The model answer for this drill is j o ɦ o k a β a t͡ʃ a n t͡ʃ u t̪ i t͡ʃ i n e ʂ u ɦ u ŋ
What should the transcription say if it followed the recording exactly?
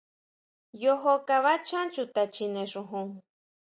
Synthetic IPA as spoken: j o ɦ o k a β a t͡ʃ a n t͡ʃ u t̪ a t͡ʃ i n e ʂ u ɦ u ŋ